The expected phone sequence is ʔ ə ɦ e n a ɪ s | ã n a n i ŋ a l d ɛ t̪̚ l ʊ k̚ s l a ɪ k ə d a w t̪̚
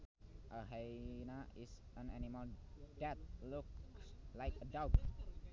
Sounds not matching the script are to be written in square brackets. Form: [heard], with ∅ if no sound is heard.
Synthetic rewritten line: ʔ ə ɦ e n a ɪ s | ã n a n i [m] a l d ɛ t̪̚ l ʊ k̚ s l a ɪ k ə d a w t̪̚